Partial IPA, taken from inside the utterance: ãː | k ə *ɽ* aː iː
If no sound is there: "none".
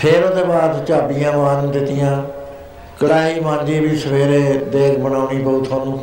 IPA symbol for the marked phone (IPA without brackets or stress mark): ɽ